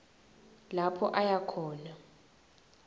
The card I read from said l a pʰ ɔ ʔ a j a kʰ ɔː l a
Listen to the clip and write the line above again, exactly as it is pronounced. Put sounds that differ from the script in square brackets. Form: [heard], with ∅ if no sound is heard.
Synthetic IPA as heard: l a pʰ ɔ ʔ a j a kʰ ɔː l a